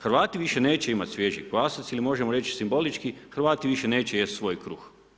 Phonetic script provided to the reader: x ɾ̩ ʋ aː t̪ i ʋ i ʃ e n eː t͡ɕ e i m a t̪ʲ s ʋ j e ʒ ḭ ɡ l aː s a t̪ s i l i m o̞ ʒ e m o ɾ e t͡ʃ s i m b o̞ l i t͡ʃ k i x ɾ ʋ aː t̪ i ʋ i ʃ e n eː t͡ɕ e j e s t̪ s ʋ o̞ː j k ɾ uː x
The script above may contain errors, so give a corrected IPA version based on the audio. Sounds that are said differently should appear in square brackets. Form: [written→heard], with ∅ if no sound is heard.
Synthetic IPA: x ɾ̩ ʋ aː t̪ i ʋ i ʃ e n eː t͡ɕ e i m a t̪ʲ s ʋ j e ʒ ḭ ɡ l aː s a t̪ s i l i m o̞ ʒ e m o ɾ e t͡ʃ s i m b o̞ l i t͡ʃ k i x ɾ ʋ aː t̪ i ʋ i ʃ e n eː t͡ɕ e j e s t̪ s ʋ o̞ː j k ɾ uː x